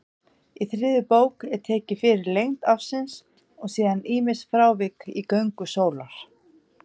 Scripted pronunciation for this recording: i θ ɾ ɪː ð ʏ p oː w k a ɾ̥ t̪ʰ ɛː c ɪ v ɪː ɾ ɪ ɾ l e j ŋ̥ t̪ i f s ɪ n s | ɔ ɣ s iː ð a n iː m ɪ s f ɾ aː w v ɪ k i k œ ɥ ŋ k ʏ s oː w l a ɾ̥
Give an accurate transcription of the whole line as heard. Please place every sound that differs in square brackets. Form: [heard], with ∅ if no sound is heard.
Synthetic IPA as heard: i θ ɾ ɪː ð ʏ p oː w k [ɛ] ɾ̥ t̪ʰ ɛː c ɪ [f] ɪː ɾ ɪ ɾ l e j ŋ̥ t̪ [a] f s ɪ n s | ɔ ɣ s iː ð a n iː m ɪ s f ɾ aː w v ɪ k i k œ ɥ ŋ k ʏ s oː w l a ɾ̥

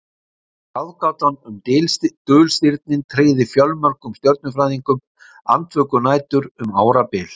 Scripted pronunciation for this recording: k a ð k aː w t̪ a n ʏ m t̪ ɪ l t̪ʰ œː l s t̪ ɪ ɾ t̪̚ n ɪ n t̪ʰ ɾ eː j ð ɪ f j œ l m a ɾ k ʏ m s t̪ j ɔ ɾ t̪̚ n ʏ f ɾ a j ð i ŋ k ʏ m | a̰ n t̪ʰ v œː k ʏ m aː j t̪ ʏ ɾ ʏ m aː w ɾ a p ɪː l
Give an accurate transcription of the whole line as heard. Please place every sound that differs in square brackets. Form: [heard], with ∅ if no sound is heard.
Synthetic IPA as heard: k a ð k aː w t̪ a n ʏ m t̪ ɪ l [t̪] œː l s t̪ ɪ ɾ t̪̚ n ɪ n t̪ʰ ɾ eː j ð ɪ f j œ l m a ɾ k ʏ m s t̪ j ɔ ɾ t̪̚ n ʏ f ɾ a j ð i ŋ k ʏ m | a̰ n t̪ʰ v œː k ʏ [n] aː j t̪ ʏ ɾ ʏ m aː w ɾ a p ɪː l

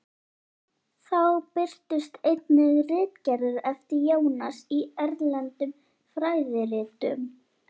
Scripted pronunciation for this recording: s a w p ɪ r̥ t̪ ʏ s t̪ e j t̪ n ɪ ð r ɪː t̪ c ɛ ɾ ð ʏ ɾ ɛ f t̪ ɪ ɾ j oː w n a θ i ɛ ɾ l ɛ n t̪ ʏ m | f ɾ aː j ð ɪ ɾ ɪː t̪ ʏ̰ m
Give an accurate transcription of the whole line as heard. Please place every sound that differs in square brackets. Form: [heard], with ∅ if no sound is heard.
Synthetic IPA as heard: [θ] a w p ɪ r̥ t̪ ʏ s t̪ e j t̪ n ɪ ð r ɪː t̪ c ɛ ɾ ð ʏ ɾ ɛ f t̪ ɪ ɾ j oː w n a [s] i ɛ ɾ l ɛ n t̪ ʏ m | f ɾ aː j ð ɪ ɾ ɪː t̪ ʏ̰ m

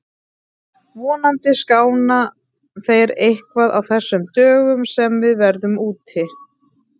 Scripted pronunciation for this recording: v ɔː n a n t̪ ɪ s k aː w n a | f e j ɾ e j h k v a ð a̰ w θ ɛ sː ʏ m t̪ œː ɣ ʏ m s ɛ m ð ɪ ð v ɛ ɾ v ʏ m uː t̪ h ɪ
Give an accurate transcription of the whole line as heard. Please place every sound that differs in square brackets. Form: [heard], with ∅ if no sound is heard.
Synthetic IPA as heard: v ɔː n a n t̪ ɪ s k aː w n a | [θ] e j ɾ e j h k v a ð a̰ w θ ɛ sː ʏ m t̪ œː ɣ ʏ m s ɛ m [v] ɪ ð v ɛ ɾ [ð] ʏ m uː t̪ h ɪ

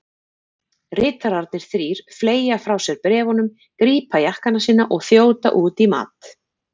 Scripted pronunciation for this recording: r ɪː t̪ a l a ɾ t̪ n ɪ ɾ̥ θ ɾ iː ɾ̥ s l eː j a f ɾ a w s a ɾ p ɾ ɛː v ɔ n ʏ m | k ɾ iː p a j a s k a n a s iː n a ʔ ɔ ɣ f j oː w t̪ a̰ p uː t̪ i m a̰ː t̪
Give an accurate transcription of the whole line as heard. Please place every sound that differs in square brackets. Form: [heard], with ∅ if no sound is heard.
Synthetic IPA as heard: r ɪː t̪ a [ɾ] a ɾ t̪ n ɪ ɾ̥ θ ɾ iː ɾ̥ [f] l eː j a f ɾ a w s [ɛ] ɾ p ɾ ɛː v ɔ n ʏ m | k ɾ iː p a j a [h] k a n a s iː n a ʔ ɔ ɣ [θ] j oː w t̪ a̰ [ʔ] uː t̪ i m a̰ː t̪

